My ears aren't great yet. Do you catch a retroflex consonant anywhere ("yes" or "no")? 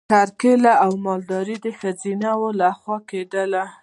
no